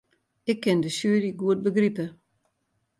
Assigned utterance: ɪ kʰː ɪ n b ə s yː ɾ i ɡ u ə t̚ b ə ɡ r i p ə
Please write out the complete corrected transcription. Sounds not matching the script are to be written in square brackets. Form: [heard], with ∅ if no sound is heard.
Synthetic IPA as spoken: ɪ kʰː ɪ n [d] ə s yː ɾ i ɡ u ə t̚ b ə ɡ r i p ə

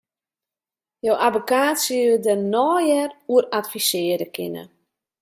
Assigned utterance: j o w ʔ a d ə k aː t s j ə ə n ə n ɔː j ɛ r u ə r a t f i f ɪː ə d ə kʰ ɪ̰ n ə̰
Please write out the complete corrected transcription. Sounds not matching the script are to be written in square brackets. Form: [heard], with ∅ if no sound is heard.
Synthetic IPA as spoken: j o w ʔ a [b] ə k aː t s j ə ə [d] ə n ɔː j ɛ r u ə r a t f i [s] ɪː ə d ə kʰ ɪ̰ n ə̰

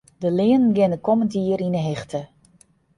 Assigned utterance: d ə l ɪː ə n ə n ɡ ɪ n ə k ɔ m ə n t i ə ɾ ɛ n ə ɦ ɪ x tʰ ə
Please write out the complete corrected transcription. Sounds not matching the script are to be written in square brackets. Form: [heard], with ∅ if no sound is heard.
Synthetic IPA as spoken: d ə l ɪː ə n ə n ɡ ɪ n ə k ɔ m ə n t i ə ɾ [i] n ə ɦ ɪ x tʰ ə

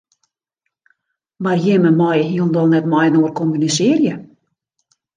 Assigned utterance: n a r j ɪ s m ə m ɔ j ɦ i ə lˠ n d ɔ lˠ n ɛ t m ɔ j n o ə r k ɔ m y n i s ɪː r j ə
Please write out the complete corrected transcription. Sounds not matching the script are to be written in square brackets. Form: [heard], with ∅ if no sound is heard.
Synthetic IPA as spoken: [m] a r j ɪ [∅] m ə m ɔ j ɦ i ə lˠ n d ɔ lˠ n ɛ t m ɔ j n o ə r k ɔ m y n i s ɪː r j ə

